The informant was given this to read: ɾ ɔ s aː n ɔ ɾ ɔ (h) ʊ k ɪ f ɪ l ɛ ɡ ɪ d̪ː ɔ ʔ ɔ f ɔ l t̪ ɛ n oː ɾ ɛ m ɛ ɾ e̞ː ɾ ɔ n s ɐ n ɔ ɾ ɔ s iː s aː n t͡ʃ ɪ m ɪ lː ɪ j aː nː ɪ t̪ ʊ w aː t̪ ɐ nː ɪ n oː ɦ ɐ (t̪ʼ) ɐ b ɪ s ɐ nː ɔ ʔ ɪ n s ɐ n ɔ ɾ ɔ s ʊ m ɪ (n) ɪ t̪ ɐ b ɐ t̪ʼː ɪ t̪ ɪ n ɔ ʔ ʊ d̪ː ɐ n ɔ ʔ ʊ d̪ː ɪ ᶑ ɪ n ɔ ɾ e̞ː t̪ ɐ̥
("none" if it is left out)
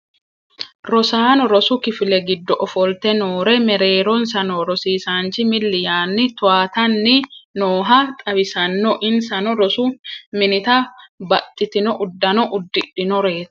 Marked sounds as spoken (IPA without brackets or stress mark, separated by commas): s, t̪ʼ, n